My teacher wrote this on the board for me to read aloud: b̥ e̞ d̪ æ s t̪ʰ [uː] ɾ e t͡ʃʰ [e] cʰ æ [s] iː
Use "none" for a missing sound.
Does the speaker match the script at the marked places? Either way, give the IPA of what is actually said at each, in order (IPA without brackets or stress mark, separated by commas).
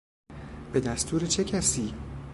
uː, e, s